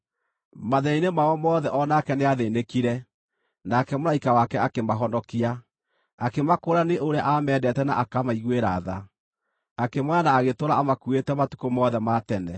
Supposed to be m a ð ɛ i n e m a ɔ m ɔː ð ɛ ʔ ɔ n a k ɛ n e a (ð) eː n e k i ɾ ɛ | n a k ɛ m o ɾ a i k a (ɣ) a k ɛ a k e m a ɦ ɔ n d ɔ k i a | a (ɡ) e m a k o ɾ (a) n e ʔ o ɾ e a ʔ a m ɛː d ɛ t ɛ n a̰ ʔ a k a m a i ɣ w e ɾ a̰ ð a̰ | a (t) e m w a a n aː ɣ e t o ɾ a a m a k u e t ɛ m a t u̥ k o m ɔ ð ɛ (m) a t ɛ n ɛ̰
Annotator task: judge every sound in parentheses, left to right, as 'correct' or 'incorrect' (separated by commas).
correct, incorrect, incorrect, correct, incorrect, correct